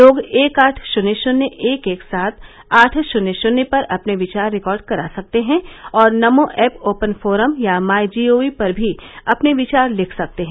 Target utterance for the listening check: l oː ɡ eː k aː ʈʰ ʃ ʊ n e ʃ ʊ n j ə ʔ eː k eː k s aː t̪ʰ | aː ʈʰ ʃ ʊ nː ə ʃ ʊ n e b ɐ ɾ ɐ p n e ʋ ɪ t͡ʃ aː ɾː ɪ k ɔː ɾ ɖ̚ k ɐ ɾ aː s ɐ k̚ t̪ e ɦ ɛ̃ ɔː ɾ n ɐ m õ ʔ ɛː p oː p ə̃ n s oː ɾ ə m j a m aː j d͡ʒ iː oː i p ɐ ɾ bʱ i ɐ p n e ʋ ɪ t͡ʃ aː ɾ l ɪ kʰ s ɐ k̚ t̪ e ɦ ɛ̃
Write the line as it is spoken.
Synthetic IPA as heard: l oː ɡ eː k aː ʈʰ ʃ ʊ n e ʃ ʊ n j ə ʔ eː k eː k s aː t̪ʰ | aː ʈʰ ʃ ʊ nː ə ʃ ʊ n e p ɐ ɾ ɐ p n e ʋ ɪ t͡ʃ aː ɾː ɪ k ɔː ɾ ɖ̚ k ɐ ɾ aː s ɐ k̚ t̪ e ɦ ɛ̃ ɔː ɾ n ɐ m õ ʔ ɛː p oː p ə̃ n f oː ɾ ə m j a m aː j d͡ʒ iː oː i p ɐ ɾ bʱ i ɐ p n e ʋ ɪ t͡ʃ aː ɾ l ɪ kʰ s ɐ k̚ t̪ e ɦ ɛ̃

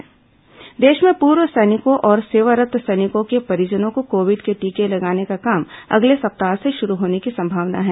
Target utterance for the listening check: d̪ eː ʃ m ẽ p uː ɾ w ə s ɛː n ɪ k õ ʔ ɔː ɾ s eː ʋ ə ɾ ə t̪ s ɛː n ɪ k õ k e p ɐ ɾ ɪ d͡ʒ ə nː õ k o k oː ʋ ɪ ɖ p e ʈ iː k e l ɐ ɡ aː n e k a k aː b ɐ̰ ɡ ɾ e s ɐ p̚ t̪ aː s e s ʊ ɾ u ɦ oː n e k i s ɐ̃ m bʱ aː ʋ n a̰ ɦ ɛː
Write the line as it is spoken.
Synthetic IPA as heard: d̪ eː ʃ m ẽ p uː ɾ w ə s ɛː n ɪ k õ ʔ ɔː ɾ s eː ʋ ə ɾ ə t̪ s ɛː n ɪ k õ k e p ɐ ɾ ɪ d͡ʒ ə n õ k o k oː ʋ ɪ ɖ k e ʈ iː k e l ɐ ɡ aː n e k a k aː m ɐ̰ ɡ l e s ɐ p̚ t̪ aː s e ʃ ʊ ɾ u ɦ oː n e k i s ɐ̃ m bʱ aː ʋ n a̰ ɦ ɛː

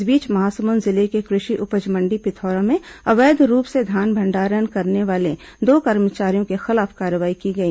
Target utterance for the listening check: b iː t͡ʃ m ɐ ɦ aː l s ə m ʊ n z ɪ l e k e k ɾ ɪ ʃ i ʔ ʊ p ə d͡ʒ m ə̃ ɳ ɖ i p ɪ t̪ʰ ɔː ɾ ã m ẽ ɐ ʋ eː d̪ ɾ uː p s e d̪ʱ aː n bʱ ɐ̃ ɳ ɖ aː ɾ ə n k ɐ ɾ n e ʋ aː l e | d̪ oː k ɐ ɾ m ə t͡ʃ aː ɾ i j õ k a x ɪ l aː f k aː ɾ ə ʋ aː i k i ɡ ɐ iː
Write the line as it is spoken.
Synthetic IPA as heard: b iː t͡ʃ m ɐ ɦ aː s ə m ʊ n z ɪ l e k e k ɾ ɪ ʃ i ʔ ʊ p ə d͡ʒ m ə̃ ɳ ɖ i p ɪ t̪ʰ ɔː ɾ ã m ẽ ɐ ʋ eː d̪ ɾ uː p s e d̪ʱ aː n bʱ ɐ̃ ɳ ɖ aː ɾ ə n k ɐ ɾ n e ʋ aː l e | d̪ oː k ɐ ɾ m ə t͡ʃ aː ɾ i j õ k e x ɪ l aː f k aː ɾ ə ʋ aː i k i ɡ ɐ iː

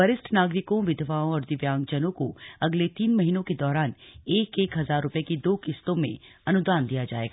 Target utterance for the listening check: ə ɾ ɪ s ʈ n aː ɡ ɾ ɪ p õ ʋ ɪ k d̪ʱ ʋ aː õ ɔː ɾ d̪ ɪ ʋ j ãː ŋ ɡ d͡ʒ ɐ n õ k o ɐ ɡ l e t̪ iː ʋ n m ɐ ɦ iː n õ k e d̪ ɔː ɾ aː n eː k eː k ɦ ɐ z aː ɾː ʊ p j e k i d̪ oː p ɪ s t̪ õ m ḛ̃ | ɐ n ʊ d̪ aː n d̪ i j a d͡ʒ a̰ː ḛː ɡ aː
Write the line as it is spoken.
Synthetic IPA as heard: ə ɾ ɪ s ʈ n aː ɡ ɾ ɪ k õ ʋ ɪ d̪ʱ ʋ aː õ ɔː ɾ d̪ ɪ ʋ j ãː ŋ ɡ d͡ʒ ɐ n õ k o ɐ ɡ l e t̪ iː n m ɐ ɦ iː n õ k e d̪ ɔː ɾ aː n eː k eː k ɦ ɐ z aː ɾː ʊ p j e k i d̪ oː k ɪ s t̪ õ m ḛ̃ | ɐ n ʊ d̪ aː n d̪ i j a d͡ʒ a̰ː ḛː ɡ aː

